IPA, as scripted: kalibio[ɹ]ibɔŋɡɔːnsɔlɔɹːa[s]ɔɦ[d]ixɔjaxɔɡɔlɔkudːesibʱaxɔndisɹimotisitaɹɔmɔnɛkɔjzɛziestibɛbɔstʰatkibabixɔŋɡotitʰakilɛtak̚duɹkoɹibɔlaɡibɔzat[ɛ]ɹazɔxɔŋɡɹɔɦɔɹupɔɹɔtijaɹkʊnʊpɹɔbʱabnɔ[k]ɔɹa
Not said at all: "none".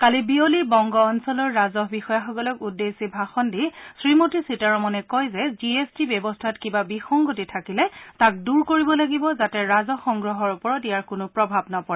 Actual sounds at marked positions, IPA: l, z, b, ɛ, p

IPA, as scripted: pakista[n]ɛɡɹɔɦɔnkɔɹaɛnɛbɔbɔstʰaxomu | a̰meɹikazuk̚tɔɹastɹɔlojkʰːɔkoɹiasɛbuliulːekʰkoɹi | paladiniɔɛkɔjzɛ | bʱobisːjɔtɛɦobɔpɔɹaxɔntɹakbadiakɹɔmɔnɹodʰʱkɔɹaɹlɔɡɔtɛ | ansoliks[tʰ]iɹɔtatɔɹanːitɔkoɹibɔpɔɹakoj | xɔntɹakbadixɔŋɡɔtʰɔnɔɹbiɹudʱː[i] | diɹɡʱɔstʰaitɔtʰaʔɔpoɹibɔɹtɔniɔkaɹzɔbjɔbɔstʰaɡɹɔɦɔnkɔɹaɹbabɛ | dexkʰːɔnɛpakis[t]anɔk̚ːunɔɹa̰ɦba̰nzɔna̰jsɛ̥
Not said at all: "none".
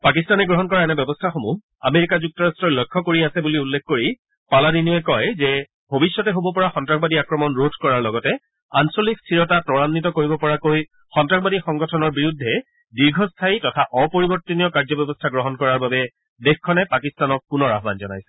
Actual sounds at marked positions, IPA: n, tʰ, ɛ, t

